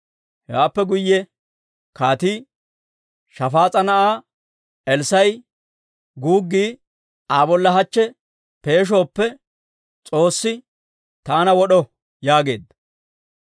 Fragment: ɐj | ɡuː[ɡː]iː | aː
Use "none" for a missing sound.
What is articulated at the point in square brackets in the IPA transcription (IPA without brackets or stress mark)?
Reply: ɡː